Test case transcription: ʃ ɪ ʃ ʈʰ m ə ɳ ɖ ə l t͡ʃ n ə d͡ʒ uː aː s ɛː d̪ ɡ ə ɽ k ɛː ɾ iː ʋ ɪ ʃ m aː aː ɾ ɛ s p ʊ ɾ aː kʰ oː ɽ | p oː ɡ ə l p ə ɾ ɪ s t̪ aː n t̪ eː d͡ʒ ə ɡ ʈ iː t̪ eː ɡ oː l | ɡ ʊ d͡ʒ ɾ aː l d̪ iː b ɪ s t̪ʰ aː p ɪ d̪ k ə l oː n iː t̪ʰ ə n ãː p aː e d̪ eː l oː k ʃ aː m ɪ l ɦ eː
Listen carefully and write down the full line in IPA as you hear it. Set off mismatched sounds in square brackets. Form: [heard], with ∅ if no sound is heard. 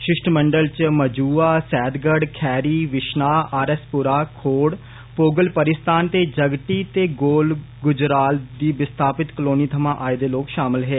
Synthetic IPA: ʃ ɪ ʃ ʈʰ m ə ɳ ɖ ə l t͡ʃ [m] ə d͡ʒ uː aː s ɛː d̪ ɡ ə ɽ [kʰ] ɛː ɾ iː ʋ ɪ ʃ [n] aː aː ɾ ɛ s p ʊ ɾ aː kʰ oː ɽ | p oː ɡ ə l p ə ɾ ɪ s t̪ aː n t̪ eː d͡ʒ ə ɡ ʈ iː t̪ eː ɡ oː l | ɡ ʊ d͡ʒ ɾ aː l d̪ iː b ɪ s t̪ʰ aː p ɪ [t̪] k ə l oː n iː t̪ʰ ə [m] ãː [ʔ] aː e d̪ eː l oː k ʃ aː m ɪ l ɦ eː